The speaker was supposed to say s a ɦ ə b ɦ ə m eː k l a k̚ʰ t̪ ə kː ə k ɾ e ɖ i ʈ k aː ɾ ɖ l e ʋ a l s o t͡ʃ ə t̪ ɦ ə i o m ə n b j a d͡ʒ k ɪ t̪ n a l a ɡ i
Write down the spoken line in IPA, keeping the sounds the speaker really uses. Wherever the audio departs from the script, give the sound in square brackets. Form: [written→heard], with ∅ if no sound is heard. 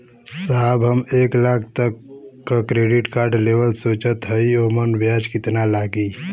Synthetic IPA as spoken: s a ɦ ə b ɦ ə m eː k l a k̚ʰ t̪ ə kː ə k ɾ e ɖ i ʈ k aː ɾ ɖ l e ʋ [a→ə] l s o t͡ʃ ə t̪ ɦ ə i o m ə n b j a d͡ʒ k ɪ t̪ n a l a ɡ i